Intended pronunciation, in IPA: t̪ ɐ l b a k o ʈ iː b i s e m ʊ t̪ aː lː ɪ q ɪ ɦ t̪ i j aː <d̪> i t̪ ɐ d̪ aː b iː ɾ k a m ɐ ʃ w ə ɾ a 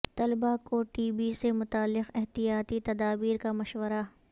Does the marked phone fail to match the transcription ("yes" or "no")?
yes